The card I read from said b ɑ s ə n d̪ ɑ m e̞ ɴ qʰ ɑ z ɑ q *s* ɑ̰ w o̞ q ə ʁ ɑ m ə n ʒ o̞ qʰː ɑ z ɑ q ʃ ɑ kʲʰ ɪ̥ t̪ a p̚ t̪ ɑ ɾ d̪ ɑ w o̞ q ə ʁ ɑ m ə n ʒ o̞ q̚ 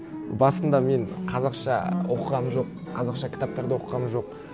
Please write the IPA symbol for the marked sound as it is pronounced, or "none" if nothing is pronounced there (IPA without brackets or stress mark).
ʃ